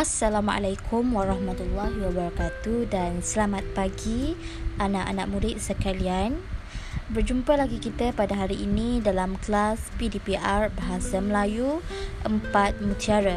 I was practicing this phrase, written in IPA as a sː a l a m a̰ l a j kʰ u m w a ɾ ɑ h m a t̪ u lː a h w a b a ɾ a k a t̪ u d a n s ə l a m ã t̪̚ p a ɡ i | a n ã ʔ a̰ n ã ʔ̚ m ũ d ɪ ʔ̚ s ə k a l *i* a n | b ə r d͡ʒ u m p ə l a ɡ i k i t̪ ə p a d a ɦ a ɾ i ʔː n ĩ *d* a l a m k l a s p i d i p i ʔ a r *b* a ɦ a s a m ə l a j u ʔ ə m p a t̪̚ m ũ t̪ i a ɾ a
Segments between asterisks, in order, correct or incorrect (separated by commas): correct, correct, correct